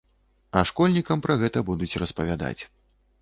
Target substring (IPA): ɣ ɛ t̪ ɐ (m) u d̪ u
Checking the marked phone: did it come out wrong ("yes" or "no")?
yes